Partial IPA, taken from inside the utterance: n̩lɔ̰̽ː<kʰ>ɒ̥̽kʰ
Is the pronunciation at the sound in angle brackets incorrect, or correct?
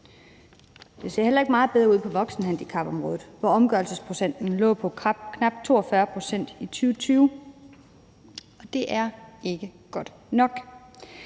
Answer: incorrect